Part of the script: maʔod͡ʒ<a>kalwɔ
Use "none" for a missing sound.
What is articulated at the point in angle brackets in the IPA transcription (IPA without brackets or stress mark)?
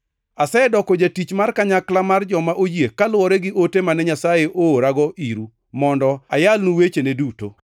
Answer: e